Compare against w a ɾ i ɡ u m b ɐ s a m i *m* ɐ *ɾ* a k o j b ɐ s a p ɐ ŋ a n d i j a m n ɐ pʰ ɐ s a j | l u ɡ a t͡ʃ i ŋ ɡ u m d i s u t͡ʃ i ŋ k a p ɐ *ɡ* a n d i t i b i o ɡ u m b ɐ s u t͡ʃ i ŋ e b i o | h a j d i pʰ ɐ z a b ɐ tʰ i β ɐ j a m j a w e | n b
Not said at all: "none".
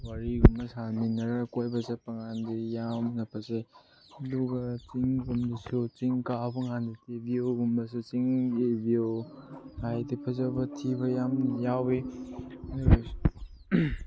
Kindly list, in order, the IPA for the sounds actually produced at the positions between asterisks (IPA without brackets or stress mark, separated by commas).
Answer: n, ɾ, ŋ